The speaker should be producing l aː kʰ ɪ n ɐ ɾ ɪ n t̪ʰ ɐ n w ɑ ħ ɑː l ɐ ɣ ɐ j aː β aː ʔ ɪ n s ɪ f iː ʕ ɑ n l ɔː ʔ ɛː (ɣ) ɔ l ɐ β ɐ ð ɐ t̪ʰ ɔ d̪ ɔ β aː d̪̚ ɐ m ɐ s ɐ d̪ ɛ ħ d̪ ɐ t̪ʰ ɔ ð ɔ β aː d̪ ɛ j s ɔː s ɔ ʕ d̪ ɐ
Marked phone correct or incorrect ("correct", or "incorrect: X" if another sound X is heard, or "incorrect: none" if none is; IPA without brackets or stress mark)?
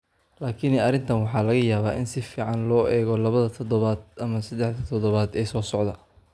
correct